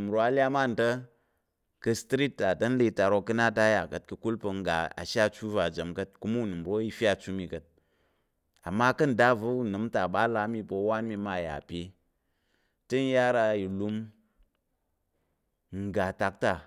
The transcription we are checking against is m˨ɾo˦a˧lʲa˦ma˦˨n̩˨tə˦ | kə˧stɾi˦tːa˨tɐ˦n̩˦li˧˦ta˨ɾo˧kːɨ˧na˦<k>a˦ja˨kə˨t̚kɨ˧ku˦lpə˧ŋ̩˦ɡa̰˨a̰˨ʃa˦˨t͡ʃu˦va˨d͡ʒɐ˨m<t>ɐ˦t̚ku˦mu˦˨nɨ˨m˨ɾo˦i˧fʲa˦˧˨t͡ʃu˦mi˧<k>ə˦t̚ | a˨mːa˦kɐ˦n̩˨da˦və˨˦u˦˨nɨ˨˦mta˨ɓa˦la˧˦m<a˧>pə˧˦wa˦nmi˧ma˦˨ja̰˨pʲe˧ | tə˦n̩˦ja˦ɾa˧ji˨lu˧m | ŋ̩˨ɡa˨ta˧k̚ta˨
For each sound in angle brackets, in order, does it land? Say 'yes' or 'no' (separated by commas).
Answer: no, no, yes, no